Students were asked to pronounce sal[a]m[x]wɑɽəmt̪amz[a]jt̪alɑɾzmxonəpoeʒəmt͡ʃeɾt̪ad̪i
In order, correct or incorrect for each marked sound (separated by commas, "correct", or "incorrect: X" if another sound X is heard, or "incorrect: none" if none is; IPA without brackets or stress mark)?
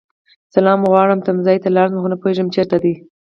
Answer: incorrect: ɑ, incorrect: ɣ, incorrect: ɑ